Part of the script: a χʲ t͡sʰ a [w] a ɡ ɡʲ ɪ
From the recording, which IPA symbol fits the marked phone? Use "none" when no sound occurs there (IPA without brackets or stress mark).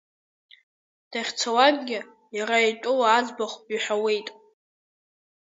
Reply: w